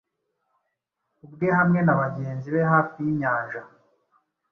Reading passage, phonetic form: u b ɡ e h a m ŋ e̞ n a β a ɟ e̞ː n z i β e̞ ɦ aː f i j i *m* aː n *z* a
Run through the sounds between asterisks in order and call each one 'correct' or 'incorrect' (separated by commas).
incorrect, incorrect